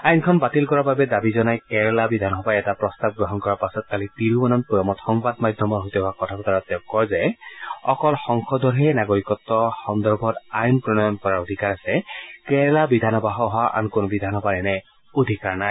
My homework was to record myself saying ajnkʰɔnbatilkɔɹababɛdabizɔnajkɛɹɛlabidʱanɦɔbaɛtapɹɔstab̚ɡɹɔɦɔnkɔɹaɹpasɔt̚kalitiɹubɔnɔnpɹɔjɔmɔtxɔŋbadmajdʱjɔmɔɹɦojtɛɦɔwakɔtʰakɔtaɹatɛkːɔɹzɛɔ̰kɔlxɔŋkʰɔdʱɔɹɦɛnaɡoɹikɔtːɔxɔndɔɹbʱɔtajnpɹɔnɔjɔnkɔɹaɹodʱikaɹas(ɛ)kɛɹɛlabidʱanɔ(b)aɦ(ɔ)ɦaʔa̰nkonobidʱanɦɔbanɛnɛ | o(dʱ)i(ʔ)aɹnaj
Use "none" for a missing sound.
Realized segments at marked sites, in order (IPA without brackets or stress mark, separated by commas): ɛ, b, ɔ, dʱ, k